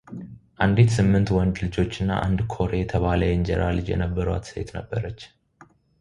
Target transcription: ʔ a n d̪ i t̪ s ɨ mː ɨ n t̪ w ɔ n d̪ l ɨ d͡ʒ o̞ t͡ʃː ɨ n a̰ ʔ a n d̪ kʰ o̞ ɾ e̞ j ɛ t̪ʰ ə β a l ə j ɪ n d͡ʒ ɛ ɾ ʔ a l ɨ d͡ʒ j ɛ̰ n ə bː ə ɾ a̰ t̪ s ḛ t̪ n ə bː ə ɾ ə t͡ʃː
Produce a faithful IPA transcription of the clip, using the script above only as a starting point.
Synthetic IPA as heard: ʔ a n d̪ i t̪ s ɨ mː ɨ n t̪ w ɔ n d̪ l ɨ d͡ʒ o̞ t͡ʃː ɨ nː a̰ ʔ a n d̪ kʰ o̞ ɾ e̞ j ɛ t̪ʰ ə β a l ə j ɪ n d͡ʒ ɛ ɾ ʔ a l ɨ d͡ʒ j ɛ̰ n ə bː ə ɾ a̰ t̪ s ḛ t̪ n ə bː ə ɾ ə t͡ʃː